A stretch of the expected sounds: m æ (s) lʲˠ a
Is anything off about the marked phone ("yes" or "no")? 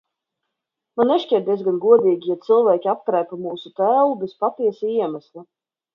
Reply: no